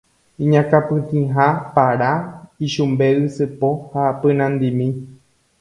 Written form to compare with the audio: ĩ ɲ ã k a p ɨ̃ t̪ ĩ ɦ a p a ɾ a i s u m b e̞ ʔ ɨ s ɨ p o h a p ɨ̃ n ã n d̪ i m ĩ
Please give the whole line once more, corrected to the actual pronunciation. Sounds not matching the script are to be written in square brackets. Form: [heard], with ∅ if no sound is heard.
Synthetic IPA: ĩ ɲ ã k a p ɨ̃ t̪ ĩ ɦ a p a ɾ a i [ʃ] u m b e̞ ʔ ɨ s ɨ p o h a p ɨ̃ n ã n d̪ i m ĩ